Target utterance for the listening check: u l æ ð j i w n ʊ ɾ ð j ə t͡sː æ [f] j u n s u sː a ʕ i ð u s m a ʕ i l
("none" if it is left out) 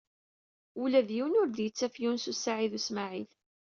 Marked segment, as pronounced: f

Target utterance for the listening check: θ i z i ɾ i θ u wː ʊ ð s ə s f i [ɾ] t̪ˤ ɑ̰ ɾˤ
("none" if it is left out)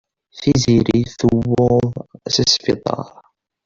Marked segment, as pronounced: none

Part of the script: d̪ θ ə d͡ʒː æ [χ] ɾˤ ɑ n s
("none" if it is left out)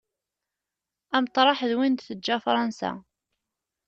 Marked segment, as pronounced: f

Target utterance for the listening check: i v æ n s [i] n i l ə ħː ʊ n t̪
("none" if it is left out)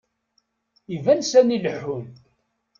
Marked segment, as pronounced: æ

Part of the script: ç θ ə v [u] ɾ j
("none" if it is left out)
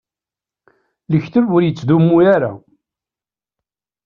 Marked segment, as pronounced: ʊ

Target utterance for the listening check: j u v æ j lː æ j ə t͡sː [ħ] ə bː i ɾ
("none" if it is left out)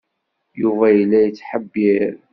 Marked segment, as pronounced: ħ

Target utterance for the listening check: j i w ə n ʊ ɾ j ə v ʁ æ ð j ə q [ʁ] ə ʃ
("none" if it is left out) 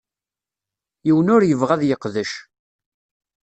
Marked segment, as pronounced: ð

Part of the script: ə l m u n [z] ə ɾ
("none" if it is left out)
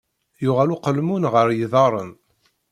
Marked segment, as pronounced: ʁ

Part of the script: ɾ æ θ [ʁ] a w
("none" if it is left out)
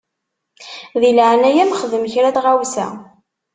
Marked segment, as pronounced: ʁ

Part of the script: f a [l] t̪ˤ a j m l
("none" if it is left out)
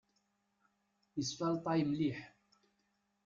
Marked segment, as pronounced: l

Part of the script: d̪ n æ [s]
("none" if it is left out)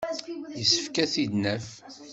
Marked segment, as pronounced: f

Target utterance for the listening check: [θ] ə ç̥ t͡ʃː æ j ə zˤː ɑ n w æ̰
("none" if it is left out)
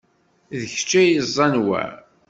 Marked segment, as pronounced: ð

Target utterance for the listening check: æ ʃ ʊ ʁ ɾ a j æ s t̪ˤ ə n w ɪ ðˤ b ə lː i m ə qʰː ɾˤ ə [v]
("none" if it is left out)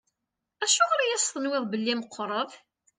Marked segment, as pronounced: v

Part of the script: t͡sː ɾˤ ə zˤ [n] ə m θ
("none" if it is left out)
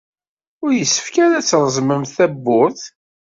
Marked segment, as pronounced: m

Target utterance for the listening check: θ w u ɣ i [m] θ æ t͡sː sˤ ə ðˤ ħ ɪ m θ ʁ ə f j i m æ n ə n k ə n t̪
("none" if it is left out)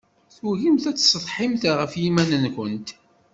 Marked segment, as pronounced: m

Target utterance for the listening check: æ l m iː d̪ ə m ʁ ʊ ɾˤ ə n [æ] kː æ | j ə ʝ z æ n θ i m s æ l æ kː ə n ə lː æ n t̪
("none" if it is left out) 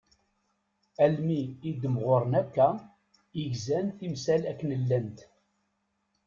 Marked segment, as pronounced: æ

